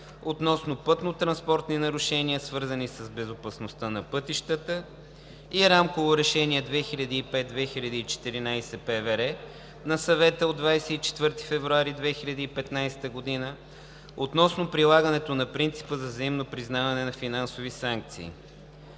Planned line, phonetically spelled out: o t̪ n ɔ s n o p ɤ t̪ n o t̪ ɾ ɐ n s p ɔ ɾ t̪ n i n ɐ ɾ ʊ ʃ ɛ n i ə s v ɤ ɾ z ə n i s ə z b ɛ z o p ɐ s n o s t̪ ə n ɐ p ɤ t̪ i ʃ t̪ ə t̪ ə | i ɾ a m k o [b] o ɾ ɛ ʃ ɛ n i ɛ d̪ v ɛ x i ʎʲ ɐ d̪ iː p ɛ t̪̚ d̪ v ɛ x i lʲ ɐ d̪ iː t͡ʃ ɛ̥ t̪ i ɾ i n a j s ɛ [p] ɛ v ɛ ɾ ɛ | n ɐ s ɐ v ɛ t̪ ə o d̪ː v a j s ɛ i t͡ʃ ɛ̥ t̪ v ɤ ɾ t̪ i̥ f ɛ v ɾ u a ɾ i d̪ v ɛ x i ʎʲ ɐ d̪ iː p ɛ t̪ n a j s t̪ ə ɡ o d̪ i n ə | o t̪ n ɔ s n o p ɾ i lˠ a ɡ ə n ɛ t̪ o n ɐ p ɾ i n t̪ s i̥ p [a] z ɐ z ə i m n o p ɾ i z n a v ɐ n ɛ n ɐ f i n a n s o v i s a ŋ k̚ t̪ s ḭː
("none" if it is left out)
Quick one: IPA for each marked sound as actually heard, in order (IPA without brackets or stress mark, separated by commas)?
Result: v, p, ə